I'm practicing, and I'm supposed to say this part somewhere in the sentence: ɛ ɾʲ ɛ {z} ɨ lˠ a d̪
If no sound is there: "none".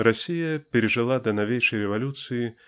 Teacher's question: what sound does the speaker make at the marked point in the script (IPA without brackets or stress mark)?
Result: ʐ